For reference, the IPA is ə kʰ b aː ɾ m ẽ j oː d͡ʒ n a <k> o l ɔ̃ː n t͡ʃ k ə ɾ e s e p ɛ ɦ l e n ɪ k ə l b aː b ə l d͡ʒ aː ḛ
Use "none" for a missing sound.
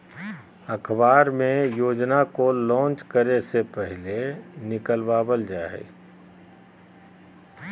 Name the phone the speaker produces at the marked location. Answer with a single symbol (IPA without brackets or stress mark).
k